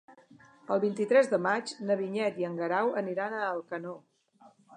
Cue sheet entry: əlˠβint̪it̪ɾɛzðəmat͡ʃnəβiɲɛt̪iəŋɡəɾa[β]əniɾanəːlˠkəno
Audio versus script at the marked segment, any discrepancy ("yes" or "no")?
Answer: yes